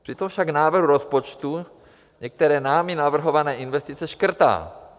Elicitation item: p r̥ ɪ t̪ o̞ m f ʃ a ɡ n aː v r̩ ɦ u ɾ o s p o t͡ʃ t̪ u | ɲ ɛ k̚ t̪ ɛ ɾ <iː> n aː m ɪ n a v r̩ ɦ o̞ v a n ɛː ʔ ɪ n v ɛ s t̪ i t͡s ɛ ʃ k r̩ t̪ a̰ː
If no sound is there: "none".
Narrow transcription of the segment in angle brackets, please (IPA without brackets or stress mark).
ɛː